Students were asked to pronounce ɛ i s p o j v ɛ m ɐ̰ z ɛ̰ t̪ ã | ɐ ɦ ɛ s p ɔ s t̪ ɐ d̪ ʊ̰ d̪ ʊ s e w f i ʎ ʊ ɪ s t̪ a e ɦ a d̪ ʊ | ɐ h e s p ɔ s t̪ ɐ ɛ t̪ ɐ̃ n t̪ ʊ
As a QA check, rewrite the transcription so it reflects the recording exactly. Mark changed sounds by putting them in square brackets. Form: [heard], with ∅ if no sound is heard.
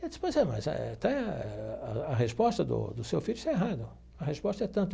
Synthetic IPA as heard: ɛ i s p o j [z] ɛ m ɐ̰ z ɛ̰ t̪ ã | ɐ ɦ [e] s p ɔ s t̪ ɐ d̪ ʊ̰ d̪ ʊ s e w f i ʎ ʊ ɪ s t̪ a e ɦ a d̪ ʊ | ɐ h e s p ɔ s t̪ ɐ ɛ t̪ ɐ̃ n t̪ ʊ